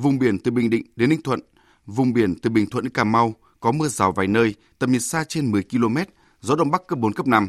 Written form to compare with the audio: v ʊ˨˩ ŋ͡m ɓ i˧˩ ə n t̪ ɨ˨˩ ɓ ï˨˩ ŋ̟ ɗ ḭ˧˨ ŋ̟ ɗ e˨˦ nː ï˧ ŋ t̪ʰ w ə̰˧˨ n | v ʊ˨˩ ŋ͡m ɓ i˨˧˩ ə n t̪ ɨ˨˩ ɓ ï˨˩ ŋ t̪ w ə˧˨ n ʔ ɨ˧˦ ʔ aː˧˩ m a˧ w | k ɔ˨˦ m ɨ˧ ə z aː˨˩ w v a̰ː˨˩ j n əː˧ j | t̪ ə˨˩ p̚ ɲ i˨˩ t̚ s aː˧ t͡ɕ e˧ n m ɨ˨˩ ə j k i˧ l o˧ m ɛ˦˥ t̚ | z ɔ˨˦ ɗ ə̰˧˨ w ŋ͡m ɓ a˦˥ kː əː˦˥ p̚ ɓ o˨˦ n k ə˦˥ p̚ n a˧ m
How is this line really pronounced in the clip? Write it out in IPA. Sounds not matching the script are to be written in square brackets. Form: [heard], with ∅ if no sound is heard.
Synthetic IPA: v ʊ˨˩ ŋ͡m ɓ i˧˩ ə n t̪ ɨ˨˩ ɓ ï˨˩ ŋ̟ ɗ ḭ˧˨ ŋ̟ ɗ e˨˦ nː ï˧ ŋ t̪ʰ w ə̰˧˨ n | v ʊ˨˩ ŋ͡m ɓ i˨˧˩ ə n t̪ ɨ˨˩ ɓ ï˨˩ ŋ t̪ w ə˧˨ n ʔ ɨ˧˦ [k] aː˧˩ m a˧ w | k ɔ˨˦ m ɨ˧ ə z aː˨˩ w v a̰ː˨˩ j n əː˧ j | t̪ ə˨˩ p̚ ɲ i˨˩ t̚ s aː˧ t͡ɕ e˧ n m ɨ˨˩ ə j k i˧ l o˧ m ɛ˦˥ t̚ | z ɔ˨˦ ɗ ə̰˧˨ w ŋ͡m ɓ a˦˥ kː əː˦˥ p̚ ɓ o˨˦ n k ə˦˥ p̚ n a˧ m